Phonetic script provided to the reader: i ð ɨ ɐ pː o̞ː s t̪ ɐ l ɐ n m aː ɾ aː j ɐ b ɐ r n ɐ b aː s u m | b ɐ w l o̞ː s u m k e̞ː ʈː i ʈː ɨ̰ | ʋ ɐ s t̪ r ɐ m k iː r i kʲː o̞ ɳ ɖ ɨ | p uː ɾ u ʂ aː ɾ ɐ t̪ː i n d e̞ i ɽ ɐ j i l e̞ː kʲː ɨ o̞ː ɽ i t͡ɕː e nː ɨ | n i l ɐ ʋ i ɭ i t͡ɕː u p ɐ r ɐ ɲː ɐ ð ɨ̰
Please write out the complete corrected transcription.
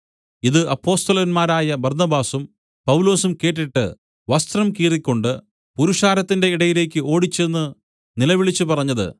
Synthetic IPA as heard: i ð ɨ ɐ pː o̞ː s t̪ ɐ l ɐ n m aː ɾ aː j ɐ b ɐ r n ɐ b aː s u m | p ɐ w l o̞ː s u m k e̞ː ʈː i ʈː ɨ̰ | ʋ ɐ s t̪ r ɐ m k iː r i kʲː o̞ ɳ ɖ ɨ | p u ɾ u ʂ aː ɾ ɐ t̪ː i n d e̞ i ɽ ɐ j i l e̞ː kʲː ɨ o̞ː ɽ i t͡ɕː e nː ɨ | n i l ɐ ʋ i ɭ i t͡ɕː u p ɐ r ɐ ɲː ɐ ð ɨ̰